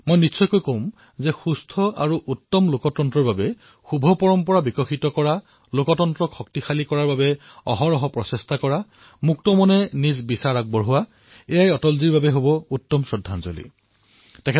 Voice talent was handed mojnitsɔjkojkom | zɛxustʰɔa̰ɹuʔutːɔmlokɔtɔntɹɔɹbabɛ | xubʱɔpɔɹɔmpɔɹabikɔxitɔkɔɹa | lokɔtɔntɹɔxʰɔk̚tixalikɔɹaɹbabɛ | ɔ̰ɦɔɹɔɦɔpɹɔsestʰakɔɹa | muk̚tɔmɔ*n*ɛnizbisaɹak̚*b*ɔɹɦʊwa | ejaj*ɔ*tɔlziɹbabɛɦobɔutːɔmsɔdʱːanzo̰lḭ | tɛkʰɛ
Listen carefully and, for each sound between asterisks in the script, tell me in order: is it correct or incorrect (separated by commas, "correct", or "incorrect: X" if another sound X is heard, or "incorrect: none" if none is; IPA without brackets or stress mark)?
correct, correct, correct